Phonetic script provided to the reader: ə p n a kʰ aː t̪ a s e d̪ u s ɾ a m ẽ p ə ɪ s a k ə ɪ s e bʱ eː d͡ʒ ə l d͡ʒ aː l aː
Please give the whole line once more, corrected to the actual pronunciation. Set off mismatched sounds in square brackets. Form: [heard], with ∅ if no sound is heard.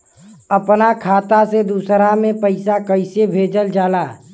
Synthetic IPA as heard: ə p n a kʰ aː t̪ a s e d̪ u s ɾ a m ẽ p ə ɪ s a k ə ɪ s e bʱ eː d͡ʒ ə l d͡ʒ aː l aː